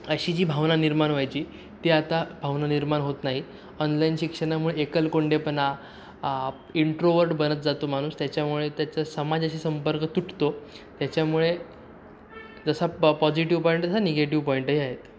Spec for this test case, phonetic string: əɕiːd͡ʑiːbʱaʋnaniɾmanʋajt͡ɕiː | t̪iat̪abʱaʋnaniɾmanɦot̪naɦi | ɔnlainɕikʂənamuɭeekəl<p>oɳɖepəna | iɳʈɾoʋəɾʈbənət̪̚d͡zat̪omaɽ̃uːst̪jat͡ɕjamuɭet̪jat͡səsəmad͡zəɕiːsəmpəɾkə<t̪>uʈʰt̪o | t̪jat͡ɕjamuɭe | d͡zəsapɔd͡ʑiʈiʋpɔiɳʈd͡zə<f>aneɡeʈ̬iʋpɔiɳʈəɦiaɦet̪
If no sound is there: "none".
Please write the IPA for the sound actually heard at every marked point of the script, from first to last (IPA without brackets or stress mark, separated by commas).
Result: k, t̪, s